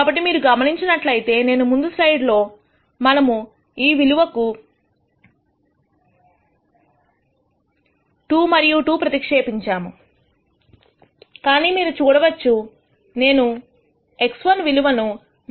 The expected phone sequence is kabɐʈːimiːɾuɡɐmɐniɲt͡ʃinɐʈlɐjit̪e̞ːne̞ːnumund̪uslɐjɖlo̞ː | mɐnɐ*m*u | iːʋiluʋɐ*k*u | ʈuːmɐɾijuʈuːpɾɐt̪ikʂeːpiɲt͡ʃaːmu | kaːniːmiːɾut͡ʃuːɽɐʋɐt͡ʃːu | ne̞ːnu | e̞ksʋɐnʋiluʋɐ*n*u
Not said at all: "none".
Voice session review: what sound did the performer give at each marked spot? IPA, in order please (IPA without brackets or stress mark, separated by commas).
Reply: m, k, n